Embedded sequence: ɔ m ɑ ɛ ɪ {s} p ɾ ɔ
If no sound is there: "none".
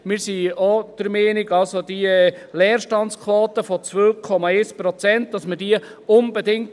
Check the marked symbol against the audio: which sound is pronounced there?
s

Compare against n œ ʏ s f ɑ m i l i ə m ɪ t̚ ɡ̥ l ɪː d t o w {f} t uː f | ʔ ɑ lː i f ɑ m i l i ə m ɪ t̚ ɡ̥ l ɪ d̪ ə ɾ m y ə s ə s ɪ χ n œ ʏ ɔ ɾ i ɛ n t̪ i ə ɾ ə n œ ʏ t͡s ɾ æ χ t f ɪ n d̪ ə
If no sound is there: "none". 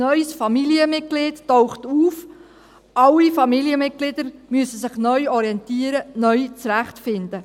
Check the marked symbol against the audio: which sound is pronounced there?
χ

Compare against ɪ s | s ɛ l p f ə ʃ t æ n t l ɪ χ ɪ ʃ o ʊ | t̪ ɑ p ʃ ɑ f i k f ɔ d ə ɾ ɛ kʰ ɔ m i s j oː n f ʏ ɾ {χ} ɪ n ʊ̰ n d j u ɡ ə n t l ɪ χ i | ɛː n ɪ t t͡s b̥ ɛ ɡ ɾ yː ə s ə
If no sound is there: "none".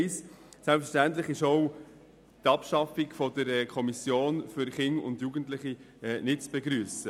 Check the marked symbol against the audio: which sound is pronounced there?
χ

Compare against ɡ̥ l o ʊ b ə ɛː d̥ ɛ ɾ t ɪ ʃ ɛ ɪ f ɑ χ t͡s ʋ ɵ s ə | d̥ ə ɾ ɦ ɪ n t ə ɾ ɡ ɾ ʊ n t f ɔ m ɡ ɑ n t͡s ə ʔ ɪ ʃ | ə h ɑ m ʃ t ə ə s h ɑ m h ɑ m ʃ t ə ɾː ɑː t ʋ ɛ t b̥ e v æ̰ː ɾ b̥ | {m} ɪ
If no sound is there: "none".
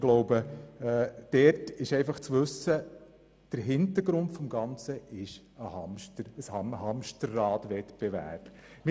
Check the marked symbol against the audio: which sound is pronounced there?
m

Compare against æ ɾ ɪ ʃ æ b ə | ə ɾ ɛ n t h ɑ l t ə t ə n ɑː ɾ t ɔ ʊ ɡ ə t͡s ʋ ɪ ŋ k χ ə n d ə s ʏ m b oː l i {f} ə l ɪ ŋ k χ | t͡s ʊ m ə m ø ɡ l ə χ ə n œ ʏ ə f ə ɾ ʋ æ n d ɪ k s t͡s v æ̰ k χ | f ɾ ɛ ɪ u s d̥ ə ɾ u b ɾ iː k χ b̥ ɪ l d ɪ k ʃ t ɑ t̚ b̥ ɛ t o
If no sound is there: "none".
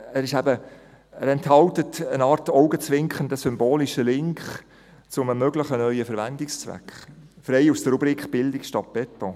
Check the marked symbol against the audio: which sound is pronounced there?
ʃ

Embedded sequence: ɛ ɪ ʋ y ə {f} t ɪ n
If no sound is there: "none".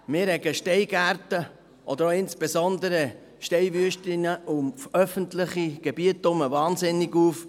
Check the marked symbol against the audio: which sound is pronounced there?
ʃ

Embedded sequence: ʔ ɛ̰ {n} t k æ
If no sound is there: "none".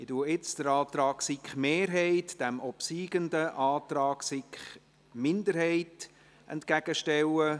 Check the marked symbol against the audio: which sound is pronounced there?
n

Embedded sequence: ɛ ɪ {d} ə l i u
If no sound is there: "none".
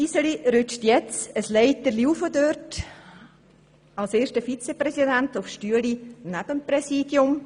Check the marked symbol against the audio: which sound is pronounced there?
t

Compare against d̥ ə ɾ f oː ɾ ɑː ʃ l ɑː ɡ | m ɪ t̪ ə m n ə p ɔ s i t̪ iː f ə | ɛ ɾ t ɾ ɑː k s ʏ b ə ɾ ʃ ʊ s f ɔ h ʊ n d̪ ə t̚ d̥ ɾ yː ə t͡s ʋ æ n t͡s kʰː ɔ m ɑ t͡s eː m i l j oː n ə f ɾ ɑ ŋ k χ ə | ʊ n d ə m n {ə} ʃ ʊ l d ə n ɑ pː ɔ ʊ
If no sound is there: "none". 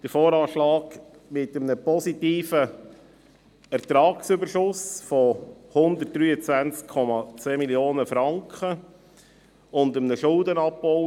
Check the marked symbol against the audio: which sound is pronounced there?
ə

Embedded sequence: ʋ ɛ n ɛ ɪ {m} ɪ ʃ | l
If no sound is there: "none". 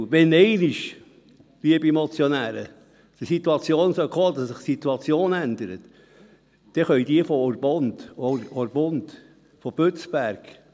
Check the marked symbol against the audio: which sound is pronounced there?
n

